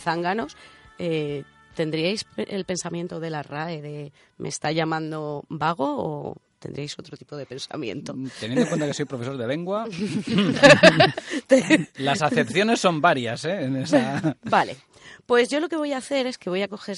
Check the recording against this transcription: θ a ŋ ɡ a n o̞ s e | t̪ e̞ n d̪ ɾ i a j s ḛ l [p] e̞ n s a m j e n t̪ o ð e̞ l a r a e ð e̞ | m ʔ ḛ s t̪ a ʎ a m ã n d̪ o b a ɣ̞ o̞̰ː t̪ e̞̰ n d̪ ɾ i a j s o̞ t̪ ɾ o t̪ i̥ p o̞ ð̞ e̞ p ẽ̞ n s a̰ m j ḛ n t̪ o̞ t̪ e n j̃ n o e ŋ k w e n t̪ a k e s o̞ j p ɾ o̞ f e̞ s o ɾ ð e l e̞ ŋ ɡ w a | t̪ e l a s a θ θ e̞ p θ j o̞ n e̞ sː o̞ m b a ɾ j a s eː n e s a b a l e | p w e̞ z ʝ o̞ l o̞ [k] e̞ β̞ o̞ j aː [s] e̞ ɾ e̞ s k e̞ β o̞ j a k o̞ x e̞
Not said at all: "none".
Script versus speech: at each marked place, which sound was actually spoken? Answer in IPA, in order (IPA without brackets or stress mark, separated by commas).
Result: p, k, θ